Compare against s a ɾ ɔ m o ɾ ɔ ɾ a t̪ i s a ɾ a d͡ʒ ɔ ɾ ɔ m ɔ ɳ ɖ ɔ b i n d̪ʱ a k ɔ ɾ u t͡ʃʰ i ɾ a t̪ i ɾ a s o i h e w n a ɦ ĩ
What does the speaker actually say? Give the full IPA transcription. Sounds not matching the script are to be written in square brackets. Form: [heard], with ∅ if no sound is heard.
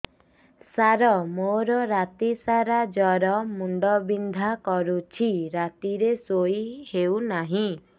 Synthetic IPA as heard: s a ɾ ɔ m o ɾ ɔ ɾ a t̪ i s a ɾ a d͡ʒ ɔ ɾ ɔ m [u] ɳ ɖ ɔ b i n d̪ʱ a k ɔ ɾ u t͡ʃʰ i ɾ a t̪ i ɾ [e] s o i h e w n a ɦ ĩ